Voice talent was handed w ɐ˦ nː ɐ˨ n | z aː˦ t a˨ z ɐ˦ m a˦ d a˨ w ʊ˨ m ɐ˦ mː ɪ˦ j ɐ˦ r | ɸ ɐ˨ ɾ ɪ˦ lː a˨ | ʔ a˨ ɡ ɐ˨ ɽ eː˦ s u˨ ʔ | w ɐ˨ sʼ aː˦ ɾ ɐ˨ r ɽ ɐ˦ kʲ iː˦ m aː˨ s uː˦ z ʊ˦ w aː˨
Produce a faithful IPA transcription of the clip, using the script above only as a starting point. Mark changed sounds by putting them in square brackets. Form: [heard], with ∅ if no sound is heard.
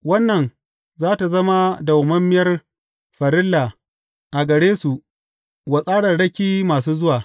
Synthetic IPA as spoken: w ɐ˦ nː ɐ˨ n | z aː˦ t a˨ z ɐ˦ m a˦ d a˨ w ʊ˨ m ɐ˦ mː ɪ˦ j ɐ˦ r | ɸ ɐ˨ ɾ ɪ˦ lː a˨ | ʔ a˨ ɡ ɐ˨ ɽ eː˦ s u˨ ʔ | w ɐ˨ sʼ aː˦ [ɽ] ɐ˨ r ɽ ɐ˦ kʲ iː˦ m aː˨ s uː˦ z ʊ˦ w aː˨